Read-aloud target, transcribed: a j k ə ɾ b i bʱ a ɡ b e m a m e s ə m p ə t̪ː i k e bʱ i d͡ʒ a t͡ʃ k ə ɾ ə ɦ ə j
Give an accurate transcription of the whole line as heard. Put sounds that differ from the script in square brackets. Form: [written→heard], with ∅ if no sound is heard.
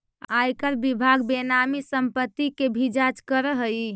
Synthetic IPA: a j k ə ɾ b i bʱ a ɡ b e [m→n] a m [e→i] s ə m p ə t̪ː i k e bʱ i d͡ʒ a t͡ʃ k ə ɾ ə ɦ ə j